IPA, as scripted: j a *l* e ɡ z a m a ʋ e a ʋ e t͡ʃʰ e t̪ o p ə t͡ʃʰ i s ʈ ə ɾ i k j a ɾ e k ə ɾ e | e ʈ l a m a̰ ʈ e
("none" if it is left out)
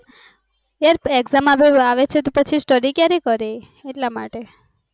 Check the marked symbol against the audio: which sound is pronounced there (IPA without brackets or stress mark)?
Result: ɾ